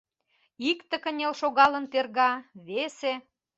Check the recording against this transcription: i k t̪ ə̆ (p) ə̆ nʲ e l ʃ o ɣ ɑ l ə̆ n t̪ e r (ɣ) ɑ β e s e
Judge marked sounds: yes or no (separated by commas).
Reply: no, yes